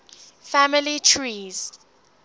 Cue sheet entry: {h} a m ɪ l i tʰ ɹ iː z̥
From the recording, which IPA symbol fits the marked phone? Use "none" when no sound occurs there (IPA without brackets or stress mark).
f